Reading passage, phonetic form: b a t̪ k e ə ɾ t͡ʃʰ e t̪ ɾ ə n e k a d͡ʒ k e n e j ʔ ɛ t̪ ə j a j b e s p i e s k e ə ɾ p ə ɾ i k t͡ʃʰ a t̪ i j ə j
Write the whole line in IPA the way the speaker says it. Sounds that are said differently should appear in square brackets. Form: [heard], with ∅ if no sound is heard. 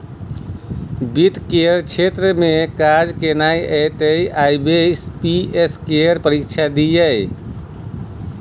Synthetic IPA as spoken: b [i] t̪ k e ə ɾ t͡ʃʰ e t̪ ɾ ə [m] e k a d͡ʒ k e n [a] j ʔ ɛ t̪ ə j a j b e s p i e s k e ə ɾ p ə ɾ i k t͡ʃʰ a [d̪] i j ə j

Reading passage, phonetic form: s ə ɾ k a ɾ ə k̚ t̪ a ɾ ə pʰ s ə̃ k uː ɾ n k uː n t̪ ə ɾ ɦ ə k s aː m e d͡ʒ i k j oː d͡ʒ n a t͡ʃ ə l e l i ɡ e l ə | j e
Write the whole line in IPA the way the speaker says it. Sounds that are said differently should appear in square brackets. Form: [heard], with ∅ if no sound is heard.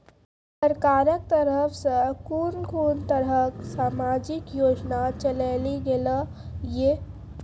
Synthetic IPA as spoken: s ə ɾ k a ɾ ə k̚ t̪ [ə] ɾ ə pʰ s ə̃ k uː ɾ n k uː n t̪ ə ɾ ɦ ə k s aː m [a] d͡ʒ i k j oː d͡ʒ n a t͡ʃ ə l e l i ɡ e l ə | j e

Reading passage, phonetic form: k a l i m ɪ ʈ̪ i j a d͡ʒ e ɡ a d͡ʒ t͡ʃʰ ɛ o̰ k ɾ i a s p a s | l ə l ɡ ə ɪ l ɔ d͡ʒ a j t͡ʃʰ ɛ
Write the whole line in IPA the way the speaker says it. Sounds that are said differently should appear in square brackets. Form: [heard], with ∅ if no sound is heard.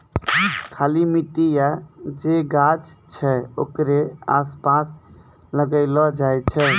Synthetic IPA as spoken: [kʰ] a l i m [i] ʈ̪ i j a d͡ʒ e ɡ a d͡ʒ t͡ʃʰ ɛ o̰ k ɾ [e] a s p a s | l ə [∅] ɡ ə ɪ l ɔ d͡ʒ a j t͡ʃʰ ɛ

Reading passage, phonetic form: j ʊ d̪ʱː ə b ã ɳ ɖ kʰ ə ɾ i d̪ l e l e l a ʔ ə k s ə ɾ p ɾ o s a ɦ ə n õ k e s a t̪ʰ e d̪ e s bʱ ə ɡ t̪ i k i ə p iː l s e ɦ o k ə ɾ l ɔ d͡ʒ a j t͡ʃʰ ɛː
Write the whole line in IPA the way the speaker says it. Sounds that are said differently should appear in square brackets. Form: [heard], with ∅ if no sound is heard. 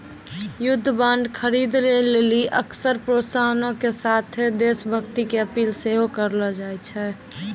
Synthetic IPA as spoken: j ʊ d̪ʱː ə b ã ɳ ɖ kʰ ə ɾ i d̪ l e l e l [i] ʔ ə k s ə ɾ p ɾ o s a ɦ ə n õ k e s a t̪ʰ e d̪ e s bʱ ə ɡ t̪ i k [e] ə p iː l s e ɦ o k ə ɾ l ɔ d͡ʒ a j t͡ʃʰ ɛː

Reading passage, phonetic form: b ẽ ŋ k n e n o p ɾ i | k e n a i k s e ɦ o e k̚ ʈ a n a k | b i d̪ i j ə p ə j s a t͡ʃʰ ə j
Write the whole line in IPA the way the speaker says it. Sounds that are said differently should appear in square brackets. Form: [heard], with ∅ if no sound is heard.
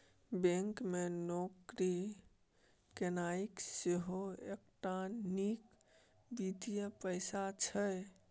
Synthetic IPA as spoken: b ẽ ŋ k [m] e n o [k] ɾ i | k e n a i k s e ɦ o e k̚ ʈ a n [i] k | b i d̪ i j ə p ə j s a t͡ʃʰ ə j

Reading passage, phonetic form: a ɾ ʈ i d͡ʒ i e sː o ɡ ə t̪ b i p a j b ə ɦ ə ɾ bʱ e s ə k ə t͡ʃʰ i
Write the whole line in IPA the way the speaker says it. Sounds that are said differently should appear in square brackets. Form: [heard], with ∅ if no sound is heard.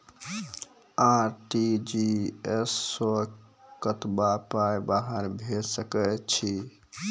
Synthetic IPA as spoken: a ɾ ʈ i d͡ʒ i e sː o [k] ə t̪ b [a] p a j b [a] ɦ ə ɾ bʱ e s ə k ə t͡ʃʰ i

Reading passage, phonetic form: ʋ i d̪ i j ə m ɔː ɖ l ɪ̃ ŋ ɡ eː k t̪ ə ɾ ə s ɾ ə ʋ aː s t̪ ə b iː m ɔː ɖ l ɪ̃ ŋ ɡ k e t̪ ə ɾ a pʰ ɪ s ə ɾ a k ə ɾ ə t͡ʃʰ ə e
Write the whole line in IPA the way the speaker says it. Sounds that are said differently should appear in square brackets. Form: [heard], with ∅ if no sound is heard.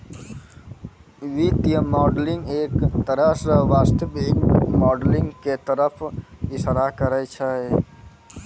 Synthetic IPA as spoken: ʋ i [t̪] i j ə m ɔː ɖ l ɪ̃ ŋ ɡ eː k t̪ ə ɾ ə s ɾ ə ʋ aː s t̪ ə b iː m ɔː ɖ l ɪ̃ ŋ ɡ k e t̪ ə ɾ [ə] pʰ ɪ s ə ɾ a k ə ɾ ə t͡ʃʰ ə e

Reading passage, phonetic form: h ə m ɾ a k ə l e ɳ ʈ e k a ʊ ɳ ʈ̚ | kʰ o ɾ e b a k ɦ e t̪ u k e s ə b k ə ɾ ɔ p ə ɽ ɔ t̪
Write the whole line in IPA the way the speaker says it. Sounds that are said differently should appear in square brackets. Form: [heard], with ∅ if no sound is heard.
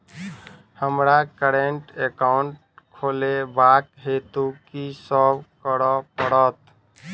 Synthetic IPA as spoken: h ə m ɾ a k ə [ɾ] e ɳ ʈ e k a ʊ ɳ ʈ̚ | kʰ o [l] e b a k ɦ e t̪ u k [i] s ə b k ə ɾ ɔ p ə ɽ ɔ t̪

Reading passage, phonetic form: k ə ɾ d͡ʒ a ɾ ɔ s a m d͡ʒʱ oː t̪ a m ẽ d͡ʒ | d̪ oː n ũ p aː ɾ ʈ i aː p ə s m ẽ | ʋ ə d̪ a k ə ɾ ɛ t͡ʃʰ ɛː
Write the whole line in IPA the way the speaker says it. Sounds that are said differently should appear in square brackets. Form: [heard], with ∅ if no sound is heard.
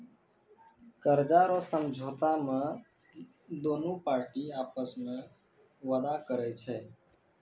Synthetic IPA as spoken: k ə ɾ d͡ʒ a ɾ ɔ s [ə] m d͡ʒʱ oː t̪ a m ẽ [∅] | d̪ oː n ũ p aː ɾ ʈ i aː p ə s m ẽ | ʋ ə d̪ a k ə ɾ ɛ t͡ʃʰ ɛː

